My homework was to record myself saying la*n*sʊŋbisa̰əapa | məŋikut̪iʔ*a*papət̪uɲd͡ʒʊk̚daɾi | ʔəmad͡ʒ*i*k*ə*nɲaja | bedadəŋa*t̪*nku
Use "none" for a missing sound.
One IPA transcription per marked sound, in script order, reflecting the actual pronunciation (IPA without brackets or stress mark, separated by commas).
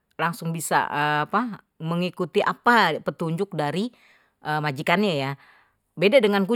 ŋ, a, i, a, none